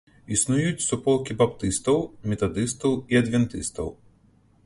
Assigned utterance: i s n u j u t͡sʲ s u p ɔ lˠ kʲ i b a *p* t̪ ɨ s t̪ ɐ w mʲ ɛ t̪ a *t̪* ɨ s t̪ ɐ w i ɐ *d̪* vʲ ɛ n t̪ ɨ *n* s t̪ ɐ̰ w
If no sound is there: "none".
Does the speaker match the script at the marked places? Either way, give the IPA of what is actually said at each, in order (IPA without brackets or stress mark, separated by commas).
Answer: p, d̪, d̪, none